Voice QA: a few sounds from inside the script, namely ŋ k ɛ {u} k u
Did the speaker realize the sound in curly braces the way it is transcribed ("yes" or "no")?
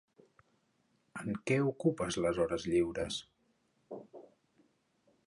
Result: yes